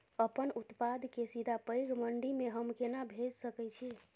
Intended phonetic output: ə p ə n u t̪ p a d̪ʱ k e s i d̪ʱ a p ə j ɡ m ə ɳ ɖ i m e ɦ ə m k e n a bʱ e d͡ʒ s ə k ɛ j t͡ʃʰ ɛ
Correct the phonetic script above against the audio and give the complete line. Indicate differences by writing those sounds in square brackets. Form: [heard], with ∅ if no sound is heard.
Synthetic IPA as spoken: ə p ə n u t̪ p a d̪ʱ k e s i d̪ʱ a p ə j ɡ m ə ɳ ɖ i m e ɦ ə m k e n a bʱ e d͡ʒ s ə k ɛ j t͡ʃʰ [i]